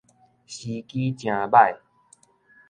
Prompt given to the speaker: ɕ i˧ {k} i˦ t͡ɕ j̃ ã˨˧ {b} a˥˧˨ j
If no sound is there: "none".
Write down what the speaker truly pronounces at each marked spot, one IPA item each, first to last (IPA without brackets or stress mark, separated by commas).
k, b